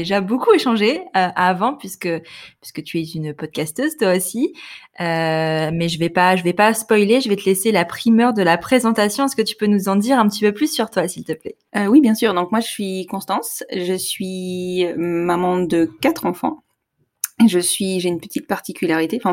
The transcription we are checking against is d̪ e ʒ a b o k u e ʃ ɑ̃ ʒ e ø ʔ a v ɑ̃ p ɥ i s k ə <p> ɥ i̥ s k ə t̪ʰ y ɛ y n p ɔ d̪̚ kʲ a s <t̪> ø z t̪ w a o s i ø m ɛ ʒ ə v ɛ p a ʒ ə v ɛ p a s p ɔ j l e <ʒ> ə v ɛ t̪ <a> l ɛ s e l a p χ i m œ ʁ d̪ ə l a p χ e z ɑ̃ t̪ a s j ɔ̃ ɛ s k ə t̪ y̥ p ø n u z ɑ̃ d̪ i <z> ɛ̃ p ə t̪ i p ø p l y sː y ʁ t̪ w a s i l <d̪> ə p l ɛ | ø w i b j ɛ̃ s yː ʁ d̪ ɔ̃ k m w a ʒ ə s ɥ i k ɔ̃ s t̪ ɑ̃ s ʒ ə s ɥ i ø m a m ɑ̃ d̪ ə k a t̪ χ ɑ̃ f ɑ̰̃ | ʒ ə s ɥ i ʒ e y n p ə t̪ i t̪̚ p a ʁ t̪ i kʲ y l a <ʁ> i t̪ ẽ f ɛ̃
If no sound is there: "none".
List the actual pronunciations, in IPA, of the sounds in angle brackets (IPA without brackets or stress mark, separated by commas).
p, t̪, ʒ, ə, ʁ, t̪, ʁ